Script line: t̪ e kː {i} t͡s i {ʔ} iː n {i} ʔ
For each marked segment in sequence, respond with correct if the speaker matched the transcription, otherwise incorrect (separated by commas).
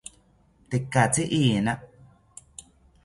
incorrect, correct, incorrect